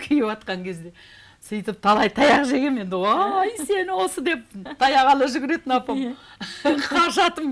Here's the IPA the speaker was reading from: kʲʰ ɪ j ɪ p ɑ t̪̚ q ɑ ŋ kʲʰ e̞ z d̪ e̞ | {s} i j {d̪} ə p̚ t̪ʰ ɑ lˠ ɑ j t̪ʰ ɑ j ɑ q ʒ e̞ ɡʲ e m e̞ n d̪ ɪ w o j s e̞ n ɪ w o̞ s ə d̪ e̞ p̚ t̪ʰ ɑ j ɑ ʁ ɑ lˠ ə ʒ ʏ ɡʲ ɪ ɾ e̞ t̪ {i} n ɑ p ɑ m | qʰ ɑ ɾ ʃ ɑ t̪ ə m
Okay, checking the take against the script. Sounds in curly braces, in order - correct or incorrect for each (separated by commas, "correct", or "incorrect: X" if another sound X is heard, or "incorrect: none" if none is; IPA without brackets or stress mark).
correct, incorrect: t̪, incorrect: ɪ